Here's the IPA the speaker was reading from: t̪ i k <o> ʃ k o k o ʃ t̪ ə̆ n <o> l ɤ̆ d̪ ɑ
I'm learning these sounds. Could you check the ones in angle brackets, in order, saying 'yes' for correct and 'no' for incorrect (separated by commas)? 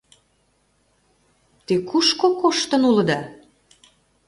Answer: no, no